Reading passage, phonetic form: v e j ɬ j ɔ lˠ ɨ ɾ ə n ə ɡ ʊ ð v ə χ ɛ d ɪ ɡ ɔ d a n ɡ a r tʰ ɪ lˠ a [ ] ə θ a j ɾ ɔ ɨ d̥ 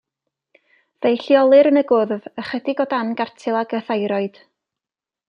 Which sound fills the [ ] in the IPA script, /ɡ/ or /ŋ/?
ɡ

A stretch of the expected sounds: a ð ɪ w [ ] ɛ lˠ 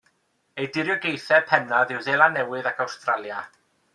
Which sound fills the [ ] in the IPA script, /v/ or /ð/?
ð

